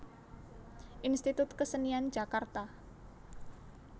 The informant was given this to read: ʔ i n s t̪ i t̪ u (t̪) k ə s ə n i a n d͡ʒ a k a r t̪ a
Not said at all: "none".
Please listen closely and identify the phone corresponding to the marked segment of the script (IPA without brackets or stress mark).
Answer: t̪